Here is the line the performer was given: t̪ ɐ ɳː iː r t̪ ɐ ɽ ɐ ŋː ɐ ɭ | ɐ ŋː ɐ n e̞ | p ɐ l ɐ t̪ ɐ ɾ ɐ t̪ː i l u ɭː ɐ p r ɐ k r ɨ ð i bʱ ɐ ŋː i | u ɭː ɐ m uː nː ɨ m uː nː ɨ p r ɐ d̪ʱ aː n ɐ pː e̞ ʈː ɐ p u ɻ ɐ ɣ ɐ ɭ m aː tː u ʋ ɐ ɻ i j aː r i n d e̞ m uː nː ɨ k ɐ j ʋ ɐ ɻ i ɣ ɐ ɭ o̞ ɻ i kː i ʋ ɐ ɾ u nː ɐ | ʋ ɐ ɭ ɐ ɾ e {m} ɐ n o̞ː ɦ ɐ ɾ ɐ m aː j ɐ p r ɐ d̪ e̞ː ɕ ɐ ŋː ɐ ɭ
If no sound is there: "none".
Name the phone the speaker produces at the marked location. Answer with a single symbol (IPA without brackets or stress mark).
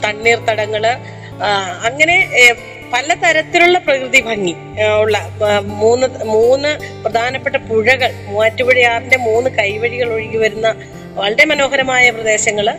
m